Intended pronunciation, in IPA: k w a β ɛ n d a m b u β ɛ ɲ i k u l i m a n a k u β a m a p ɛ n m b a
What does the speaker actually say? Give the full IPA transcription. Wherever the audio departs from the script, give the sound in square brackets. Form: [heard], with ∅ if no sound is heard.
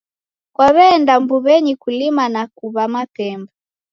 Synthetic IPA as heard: k w a β ɛ n d a m b u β ɛ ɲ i k u l i m a n a k u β a m a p ɛ [∅] m b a